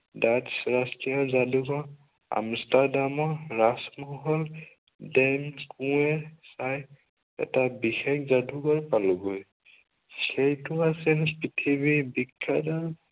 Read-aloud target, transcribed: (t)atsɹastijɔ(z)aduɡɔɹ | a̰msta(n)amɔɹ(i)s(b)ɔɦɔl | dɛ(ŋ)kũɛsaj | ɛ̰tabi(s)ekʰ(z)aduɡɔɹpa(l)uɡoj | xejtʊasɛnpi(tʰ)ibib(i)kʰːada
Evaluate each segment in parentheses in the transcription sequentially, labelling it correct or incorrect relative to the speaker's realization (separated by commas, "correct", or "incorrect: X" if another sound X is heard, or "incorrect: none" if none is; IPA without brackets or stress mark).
incorrect: d, correct, incorrect: d, incorrect: a, incorrect: m, incorrect: m, incorrect: x, correct, correct, correct, correct